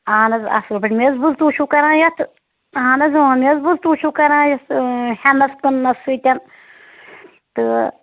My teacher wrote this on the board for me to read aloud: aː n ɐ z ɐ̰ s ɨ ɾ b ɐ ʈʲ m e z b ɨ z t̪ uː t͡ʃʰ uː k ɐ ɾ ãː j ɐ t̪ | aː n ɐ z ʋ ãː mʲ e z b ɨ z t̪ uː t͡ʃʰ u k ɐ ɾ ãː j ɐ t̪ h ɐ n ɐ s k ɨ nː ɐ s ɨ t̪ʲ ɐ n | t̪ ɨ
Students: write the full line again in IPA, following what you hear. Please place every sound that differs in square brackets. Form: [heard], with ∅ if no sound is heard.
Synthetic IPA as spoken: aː n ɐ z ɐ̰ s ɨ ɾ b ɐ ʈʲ m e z b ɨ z t̪ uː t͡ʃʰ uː k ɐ ɾ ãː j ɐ t̪ | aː n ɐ z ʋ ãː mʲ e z b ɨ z t̪ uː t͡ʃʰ u k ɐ ɾ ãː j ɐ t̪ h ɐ n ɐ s k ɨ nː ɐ s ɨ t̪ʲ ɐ n | t̪ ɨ